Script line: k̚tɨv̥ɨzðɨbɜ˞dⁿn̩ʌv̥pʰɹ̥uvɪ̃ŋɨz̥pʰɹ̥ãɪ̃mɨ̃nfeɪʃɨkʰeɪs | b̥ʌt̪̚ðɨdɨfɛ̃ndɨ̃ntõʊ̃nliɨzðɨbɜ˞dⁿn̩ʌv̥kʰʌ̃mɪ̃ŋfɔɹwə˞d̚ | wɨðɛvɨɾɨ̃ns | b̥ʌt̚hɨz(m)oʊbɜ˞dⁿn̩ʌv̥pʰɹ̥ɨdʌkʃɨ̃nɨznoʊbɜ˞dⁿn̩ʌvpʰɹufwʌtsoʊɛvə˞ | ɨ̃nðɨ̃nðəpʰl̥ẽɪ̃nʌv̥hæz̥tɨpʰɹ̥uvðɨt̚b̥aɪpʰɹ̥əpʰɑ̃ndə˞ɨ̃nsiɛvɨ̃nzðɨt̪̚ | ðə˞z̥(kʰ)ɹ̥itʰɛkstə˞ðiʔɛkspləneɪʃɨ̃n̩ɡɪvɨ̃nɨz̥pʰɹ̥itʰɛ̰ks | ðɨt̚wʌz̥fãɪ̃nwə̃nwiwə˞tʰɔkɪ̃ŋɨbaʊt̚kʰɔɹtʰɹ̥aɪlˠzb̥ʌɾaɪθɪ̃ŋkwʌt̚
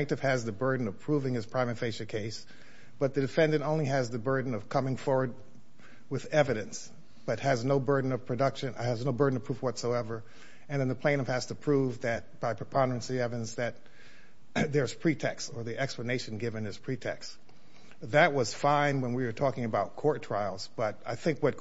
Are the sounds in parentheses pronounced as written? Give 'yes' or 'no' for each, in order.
no, no

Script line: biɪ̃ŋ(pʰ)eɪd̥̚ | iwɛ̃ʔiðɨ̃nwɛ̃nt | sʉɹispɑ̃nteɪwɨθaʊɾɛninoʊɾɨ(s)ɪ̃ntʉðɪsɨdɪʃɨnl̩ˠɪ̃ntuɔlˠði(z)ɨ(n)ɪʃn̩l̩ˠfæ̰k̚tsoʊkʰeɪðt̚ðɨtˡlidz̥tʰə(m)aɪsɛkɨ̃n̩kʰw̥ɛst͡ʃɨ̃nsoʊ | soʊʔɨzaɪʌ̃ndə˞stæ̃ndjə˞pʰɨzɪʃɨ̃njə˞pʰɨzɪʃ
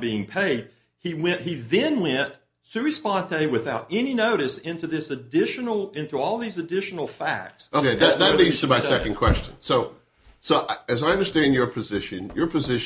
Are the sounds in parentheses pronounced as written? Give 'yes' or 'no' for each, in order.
yes, yes, yes, no, yes

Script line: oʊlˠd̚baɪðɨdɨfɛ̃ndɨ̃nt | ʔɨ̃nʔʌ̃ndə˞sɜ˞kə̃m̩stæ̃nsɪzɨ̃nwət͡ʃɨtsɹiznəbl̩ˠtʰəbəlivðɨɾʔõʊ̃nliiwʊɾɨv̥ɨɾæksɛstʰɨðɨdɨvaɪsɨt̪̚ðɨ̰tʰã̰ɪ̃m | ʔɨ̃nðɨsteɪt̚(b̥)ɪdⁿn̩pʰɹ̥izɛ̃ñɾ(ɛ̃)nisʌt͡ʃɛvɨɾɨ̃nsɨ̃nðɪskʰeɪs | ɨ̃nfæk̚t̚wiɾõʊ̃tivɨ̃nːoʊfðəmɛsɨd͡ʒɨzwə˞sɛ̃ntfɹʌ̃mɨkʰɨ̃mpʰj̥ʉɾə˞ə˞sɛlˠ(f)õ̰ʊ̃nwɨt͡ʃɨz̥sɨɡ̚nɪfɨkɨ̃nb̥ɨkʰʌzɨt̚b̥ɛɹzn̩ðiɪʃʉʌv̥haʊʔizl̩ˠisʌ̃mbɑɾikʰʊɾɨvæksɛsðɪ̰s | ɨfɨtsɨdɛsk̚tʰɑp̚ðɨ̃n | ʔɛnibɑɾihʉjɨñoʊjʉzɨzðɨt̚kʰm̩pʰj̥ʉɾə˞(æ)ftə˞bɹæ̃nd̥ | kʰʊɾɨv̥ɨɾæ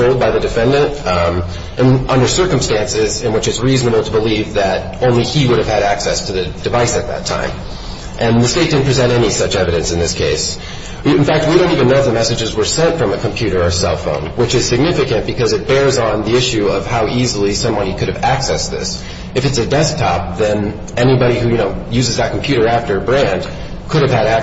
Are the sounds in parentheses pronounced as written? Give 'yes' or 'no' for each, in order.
no, no, yes, yes

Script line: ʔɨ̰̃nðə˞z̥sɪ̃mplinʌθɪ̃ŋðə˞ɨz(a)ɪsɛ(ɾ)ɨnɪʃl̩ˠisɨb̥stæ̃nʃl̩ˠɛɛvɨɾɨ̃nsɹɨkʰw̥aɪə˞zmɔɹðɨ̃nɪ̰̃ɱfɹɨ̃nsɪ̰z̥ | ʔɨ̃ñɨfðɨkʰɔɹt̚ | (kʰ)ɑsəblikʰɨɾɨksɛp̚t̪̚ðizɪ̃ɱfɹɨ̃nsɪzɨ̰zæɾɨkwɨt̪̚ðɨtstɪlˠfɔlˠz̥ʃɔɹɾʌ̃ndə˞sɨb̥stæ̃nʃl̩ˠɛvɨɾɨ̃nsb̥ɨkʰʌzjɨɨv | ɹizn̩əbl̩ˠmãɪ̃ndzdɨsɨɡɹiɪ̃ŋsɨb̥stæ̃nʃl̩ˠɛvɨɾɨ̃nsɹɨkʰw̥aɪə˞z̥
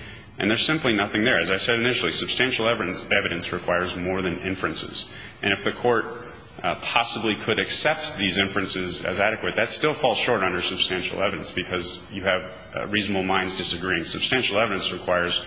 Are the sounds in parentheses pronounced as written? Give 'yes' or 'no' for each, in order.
yes, yes, no

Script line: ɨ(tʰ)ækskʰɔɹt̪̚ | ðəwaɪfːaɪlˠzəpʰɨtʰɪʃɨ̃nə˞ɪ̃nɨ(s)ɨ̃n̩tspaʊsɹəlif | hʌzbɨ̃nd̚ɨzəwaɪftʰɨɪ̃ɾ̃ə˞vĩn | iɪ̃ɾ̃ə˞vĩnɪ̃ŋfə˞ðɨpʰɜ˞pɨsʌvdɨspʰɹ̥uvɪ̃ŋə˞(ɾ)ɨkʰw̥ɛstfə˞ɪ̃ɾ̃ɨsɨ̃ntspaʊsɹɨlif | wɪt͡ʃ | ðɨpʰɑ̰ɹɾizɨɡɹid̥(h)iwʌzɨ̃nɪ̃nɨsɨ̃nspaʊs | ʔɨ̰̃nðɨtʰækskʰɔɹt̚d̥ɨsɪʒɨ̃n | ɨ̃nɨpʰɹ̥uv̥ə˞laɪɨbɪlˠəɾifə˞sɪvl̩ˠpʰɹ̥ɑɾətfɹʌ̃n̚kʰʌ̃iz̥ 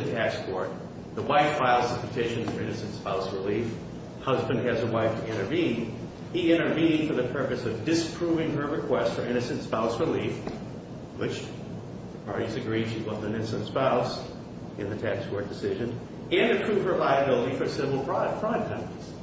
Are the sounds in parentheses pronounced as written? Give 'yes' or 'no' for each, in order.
yes, yes, no, no

